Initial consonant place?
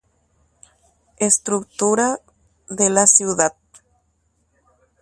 alveolar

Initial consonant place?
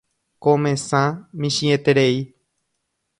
velar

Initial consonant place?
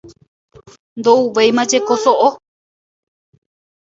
alveolar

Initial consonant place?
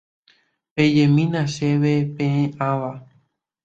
labial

